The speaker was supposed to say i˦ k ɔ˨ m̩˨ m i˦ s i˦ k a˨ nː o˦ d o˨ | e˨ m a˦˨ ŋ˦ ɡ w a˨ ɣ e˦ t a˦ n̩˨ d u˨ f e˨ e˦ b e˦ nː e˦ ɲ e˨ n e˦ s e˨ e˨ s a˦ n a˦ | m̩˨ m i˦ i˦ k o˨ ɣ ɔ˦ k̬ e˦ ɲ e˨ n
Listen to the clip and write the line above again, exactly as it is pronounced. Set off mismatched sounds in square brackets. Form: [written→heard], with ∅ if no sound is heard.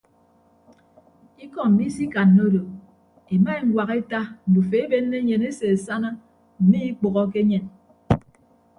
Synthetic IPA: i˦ k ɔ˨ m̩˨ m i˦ s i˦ k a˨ nː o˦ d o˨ | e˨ m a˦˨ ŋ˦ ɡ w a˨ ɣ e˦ t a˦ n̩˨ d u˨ f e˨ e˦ b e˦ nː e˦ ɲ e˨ n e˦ s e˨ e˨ s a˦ n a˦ | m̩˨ m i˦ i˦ [k→k͡p] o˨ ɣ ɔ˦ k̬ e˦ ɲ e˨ n